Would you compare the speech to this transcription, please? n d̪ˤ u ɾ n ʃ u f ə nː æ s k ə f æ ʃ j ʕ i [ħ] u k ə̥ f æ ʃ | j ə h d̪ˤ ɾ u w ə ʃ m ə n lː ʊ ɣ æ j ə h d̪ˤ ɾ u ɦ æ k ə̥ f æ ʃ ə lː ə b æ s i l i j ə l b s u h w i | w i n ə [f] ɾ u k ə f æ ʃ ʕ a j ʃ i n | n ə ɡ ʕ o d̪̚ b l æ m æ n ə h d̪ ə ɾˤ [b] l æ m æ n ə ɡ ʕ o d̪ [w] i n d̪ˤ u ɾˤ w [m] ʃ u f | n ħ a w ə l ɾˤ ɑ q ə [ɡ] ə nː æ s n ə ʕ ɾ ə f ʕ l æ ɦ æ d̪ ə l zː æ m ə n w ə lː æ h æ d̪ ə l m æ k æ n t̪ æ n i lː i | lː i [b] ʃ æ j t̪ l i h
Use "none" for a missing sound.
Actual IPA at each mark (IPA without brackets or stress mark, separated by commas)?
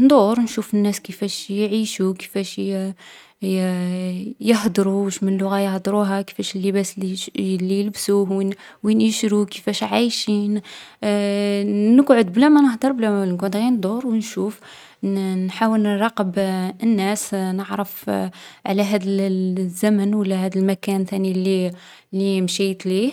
ʃ, ʃ, b, ɣ, n, b, m